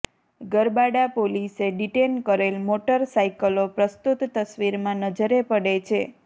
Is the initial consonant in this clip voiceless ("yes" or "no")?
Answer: no